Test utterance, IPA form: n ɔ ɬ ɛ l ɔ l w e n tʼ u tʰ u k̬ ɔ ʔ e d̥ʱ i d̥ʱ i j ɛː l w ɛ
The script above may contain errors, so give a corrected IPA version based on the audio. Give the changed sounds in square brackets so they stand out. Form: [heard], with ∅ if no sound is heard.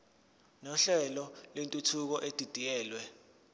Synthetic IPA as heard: n ɔ ɬ ɛ l ɔ l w e n tʼ u tʰ u k̬ ɔ ʔ e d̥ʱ i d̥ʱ i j ɛː l w ɛ